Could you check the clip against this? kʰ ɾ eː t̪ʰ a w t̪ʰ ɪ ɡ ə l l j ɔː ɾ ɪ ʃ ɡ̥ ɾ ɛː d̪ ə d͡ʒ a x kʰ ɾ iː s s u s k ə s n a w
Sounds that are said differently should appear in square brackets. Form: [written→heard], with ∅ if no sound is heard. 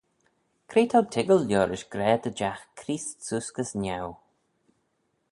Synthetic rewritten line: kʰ ɾ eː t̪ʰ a w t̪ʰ ɪ ɡ ə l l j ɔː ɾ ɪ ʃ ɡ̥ ɾ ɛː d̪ ə d͡ʒ a x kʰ ɾ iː s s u s k ə s n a w